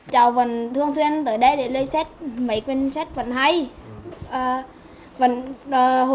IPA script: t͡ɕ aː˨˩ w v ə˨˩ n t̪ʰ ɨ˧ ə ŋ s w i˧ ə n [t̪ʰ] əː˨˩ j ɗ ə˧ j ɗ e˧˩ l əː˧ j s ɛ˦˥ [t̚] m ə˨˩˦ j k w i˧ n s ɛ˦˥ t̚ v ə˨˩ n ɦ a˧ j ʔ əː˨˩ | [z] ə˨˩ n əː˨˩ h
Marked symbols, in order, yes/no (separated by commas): no, yes, no